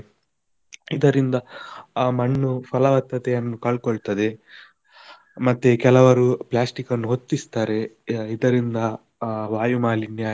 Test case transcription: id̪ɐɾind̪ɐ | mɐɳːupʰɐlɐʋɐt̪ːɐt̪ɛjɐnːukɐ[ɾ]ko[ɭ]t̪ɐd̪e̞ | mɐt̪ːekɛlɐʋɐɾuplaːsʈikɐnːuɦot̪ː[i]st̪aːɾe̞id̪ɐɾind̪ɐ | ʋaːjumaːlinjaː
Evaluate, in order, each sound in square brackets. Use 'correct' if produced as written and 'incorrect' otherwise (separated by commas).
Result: incorrect, correct, correct